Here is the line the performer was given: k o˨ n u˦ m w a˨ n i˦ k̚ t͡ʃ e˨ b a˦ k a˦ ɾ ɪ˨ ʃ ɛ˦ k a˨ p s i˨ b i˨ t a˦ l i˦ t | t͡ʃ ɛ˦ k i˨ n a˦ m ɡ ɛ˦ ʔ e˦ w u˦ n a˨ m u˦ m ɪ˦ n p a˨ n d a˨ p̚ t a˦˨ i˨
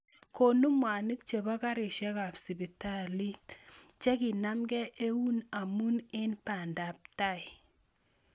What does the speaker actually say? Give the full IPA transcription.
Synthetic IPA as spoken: k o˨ n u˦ m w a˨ n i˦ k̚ t͡ʃ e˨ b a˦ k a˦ ɾ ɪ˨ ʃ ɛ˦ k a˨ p s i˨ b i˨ t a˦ l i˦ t | t͡ʃ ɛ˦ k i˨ n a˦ m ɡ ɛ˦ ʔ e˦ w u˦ n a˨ m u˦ n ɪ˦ n p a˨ n d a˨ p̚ t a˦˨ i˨